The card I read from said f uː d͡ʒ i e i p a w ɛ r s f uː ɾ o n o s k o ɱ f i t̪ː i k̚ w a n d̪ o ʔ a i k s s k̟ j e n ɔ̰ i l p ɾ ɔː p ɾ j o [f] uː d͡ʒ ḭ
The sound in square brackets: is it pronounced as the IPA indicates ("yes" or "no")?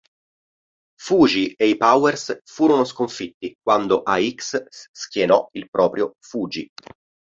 yes